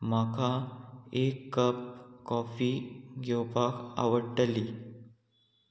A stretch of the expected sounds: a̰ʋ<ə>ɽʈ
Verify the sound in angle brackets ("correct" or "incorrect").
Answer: correct